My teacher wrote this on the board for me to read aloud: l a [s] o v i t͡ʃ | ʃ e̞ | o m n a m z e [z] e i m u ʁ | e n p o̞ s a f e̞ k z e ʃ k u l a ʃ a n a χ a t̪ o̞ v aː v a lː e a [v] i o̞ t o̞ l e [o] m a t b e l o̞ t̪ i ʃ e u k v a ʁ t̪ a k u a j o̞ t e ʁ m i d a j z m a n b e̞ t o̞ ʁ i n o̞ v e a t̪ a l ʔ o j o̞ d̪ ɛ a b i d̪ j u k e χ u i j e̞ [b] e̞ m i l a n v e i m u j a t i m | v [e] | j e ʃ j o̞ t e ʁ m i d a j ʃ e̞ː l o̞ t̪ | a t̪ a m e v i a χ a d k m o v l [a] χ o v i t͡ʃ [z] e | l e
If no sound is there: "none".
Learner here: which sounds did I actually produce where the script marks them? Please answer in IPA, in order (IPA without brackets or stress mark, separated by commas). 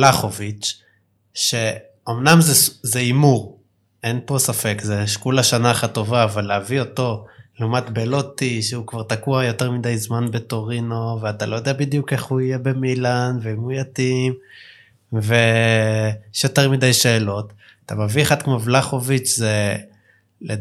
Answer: χ, z, v, u, b, e, a, z